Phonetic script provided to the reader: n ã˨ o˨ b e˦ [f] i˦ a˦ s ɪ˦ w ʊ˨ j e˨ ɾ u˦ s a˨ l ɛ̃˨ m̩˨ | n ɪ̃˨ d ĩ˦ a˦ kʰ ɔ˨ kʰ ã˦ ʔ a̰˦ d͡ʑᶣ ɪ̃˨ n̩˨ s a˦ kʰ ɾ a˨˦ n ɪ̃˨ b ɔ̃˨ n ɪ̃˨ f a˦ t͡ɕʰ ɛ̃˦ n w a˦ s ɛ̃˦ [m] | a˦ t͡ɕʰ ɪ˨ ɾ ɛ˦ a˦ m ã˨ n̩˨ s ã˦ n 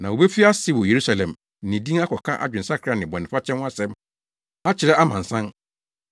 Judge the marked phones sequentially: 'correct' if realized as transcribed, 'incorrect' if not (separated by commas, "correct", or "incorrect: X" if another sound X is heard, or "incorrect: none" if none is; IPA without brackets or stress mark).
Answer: correct, correct